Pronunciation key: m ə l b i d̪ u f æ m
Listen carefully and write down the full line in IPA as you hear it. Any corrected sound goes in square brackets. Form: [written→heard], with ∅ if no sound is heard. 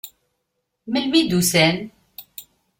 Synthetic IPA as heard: m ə l [b→m] i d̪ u [f→s] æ [m→n]